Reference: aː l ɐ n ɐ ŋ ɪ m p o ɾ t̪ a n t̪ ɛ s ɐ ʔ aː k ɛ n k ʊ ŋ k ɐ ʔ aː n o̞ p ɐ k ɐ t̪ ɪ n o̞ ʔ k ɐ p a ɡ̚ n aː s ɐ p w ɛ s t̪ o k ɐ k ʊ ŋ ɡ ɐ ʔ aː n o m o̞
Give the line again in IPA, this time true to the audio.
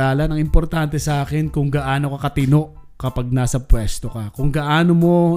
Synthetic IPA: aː l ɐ n ɐ ŋ ɪ m p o ɾ t̪ a n t̪ ɛ s ɐ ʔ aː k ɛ n k ʊ ŋ ɡ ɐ ʔ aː n o̞ k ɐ k ɐ t̪ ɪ n o̞ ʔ k ɐ p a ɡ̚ n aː s ɐ p w ɛ s t̪ o k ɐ k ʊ ŋ ɡ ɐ ʔ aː n o m o̞